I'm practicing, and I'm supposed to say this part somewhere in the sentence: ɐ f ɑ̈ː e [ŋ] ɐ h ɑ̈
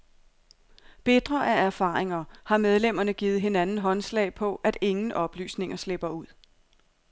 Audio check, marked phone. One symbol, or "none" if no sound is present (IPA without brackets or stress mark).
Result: ŋ